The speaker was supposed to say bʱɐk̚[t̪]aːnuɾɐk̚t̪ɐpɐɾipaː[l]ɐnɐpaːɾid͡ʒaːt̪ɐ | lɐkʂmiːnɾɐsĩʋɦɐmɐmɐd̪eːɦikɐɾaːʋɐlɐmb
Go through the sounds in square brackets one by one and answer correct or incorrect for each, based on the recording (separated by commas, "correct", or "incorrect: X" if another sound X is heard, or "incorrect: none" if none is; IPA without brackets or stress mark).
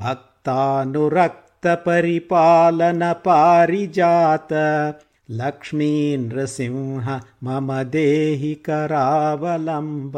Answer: correct, correct